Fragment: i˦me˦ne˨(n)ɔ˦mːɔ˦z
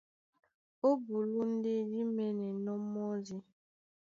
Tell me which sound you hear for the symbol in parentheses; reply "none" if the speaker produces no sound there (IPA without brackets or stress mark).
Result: n